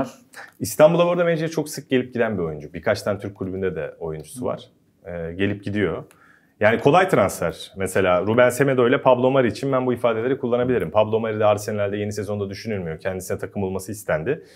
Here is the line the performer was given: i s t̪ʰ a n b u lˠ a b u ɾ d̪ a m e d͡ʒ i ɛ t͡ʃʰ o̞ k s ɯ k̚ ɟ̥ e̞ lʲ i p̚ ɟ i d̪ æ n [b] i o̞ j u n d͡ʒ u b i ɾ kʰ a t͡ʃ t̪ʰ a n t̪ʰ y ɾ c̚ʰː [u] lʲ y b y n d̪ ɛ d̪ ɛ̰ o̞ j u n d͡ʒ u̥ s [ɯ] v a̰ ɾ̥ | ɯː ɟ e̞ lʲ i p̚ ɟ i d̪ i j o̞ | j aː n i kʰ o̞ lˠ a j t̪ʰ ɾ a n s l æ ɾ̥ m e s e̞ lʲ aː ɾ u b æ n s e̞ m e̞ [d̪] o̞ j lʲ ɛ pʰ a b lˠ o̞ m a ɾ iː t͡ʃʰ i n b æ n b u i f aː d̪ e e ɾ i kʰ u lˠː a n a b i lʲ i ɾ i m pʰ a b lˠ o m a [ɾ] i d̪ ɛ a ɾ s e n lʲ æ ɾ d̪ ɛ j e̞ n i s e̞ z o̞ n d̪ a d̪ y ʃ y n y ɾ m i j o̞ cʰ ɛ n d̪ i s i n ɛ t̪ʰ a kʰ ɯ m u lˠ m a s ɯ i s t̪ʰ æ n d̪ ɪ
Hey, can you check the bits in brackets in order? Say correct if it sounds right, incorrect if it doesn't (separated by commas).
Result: correct, correct, incorrect, correct, correct